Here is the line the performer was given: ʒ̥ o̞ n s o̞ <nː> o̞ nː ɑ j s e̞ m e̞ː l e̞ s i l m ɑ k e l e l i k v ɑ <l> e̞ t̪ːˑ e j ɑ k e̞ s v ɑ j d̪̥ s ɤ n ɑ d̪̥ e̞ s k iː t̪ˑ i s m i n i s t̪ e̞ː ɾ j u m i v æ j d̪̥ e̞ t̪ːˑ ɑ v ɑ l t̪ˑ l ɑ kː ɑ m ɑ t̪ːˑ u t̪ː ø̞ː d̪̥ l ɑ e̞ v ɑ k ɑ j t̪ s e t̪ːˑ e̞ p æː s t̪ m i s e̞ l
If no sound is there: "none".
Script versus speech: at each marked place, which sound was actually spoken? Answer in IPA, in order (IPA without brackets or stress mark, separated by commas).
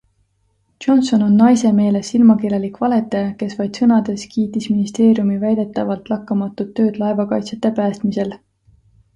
n, l